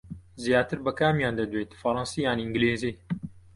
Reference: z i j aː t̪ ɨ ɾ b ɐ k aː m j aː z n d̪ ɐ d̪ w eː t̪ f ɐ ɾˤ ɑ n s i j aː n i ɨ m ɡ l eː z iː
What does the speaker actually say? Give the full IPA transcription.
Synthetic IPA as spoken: z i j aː t̪ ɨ ɾ b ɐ k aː m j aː n d̪ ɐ d̪ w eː t̪ f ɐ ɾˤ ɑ n s i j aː n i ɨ ŋ ɡ l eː z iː